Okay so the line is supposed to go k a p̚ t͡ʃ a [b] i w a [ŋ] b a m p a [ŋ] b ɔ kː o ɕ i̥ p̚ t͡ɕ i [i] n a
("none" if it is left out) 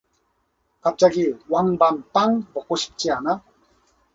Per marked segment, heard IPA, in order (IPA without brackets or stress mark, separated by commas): ɡ, ŋ, ŋ, a